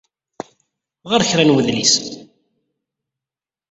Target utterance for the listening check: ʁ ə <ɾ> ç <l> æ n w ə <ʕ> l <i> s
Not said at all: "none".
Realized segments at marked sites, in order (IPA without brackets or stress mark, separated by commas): ɾ, ɾ, ð, i